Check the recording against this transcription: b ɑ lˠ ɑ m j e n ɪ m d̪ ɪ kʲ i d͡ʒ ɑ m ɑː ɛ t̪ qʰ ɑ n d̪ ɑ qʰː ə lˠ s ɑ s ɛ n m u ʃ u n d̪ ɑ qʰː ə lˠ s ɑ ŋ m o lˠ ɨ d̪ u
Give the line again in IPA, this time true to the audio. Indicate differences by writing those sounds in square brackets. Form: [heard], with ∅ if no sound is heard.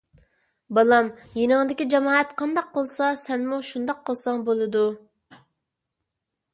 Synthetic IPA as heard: b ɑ lˠ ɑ m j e n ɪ [ŋ] d̪ ɪ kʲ i d͡ʒ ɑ m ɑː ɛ t̪ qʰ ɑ n d̪ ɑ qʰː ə lˠ s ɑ s ɛ n m u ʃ u n d̪ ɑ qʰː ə lˠ s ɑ ŋ [b] o lˠ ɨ d̪ u